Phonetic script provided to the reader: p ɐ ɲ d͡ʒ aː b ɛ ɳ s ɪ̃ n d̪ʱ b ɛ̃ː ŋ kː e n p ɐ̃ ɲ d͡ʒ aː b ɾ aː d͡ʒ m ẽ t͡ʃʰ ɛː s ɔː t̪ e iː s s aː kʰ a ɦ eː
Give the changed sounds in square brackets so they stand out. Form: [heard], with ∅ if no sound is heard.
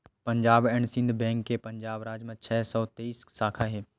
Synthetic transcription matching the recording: p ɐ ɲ d͡ʒ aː b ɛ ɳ s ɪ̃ n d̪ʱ b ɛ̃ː ŋ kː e [∅] p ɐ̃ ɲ d͡ʒ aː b ɾ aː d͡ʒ m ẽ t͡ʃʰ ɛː s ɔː t̪ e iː s s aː kʰ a ɦ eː

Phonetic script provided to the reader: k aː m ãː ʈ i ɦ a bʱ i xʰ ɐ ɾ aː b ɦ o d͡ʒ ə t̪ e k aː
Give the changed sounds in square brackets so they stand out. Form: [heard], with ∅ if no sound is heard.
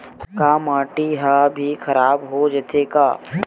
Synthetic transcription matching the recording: k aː m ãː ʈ i ɦ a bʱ i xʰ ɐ ɾ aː b ɦ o d͡ʒ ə t̪ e k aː

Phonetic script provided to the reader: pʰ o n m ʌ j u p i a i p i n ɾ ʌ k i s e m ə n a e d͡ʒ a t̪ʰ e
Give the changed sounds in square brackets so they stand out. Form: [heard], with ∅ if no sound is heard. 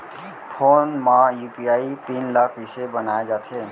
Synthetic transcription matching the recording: pʰ o n m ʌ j u p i a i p i n [l] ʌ k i s e [b] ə n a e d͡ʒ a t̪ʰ e

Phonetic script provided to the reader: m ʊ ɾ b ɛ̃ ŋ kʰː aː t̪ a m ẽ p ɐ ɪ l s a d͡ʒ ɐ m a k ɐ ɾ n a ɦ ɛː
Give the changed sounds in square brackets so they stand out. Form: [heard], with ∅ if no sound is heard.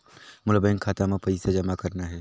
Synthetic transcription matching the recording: m ʊ [l] b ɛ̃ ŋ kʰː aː t̪ a m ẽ p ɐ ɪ [∅] s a d͡ʒ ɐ m a k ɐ ɾ n a ɦ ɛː

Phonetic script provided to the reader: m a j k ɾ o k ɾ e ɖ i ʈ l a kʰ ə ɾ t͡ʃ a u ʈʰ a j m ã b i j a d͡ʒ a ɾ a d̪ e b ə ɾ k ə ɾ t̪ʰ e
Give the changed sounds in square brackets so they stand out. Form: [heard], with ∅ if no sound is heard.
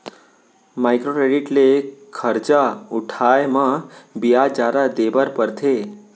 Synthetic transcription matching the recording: m a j k ɾ o k ɾ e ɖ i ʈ l [e] kʰ ə ɾ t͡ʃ a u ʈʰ a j m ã b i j a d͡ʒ a ɾ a d̪ e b ə ɾ [p] ə ɾ t̪ʰ e

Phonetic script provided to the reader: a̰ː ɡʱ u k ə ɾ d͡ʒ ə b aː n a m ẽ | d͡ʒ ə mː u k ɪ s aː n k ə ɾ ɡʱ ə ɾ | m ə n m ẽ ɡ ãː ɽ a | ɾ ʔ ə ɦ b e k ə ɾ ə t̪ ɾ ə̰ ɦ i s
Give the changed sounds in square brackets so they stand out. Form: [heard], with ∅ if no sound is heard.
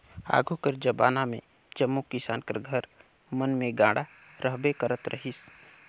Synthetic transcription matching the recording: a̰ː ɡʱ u k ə ɾ d͡ʒ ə b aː n a m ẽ | d͡ʒ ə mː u k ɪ s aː n k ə ɾ ɡʱ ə ɾ | m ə n m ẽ ɡ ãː ɽ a | ɾ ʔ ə ɦ b e k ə ɾ ə t̪ ɾ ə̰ ɦ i s

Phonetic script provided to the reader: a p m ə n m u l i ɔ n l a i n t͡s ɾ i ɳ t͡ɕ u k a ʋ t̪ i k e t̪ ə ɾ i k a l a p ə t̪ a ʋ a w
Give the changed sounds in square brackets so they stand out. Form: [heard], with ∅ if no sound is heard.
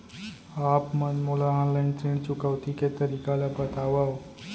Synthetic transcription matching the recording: a p m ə n m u l [a] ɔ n l a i n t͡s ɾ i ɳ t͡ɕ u k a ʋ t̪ i k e t̪ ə ɾ i k a l a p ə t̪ a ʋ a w

